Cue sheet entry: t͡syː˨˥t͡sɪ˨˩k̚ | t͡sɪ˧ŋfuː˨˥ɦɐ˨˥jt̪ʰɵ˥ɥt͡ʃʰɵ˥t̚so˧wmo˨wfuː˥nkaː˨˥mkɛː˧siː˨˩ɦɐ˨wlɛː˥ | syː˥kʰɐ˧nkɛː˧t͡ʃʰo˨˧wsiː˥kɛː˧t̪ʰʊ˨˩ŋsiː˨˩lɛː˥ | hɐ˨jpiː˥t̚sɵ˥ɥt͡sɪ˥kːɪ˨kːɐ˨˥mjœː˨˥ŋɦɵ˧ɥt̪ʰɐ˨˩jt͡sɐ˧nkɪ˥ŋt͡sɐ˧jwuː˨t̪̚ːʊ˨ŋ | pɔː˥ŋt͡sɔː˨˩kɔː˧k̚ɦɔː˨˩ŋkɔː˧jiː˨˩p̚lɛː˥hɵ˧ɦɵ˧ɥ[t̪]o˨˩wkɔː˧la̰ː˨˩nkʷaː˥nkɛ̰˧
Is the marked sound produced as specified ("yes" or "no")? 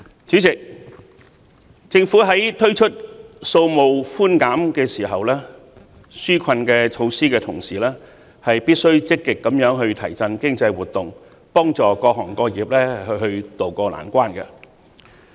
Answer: yes